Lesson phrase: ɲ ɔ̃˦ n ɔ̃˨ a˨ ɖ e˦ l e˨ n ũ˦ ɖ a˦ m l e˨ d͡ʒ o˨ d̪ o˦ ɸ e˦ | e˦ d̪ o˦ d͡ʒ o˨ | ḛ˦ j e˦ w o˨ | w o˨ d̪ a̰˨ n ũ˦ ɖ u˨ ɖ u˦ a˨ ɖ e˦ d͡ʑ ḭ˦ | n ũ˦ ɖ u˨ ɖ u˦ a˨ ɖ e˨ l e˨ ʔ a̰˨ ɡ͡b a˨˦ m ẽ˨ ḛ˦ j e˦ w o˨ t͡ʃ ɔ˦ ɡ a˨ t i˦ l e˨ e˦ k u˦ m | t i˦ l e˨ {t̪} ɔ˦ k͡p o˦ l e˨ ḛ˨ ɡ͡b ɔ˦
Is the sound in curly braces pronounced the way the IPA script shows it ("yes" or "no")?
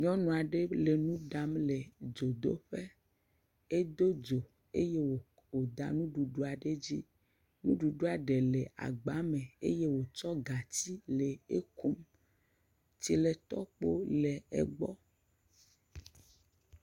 yes